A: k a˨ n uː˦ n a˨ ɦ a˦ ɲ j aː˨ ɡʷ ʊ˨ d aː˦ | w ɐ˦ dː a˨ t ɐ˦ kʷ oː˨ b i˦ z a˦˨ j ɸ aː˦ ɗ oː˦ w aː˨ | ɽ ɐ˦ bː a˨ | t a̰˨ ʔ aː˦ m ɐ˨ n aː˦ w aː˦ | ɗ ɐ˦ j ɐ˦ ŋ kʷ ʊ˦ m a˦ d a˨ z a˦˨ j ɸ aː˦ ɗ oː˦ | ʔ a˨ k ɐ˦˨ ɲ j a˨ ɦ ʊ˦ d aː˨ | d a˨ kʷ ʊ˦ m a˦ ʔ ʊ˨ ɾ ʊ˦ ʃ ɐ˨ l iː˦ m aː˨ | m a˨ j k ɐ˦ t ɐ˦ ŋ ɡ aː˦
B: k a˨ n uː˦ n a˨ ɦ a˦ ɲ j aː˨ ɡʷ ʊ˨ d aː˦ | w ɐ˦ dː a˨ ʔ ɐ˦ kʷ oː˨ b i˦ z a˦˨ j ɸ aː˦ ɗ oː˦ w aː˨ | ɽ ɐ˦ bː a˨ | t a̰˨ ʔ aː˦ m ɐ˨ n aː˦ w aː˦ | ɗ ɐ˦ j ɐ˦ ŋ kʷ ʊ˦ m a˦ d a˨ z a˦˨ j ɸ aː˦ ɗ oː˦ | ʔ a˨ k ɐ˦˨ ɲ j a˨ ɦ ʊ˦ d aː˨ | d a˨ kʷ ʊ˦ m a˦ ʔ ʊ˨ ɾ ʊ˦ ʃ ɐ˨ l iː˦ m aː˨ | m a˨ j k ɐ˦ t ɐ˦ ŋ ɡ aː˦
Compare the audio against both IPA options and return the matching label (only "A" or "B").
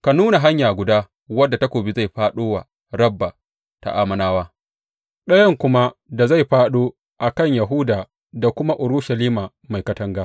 A